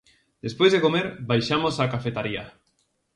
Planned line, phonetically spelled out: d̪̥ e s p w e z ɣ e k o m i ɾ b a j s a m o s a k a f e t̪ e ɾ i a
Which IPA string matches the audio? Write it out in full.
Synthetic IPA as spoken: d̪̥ e s p w e z ð e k o m e ɾ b a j ʃ a m o s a k a f e t̪ a ɾ i a